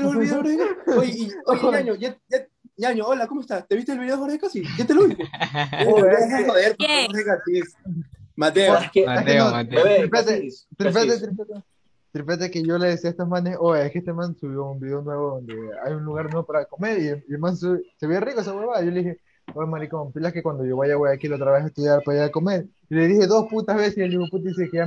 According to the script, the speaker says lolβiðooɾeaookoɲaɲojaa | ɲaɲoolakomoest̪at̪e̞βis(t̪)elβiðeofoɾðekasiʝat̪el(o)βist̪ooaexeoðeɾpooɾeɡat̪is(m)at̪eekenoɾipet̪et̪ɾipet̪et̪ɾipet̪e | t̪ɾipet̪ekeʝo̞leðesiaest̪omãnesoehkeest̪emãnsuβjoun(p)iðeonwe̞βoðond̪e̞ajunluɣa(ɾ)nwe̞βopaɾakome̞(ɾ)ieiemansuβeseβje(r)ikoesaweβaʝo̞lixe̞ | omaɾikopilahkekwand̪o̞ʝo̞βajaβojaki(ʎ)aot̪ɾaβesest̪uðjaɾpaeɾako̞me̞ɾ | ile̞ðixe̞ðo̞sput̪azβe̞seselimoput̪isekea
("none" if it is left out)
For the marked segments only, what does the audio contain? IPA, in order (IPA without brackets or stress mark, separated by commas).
t̪, o, m, b, ɾ, ɾ, r, l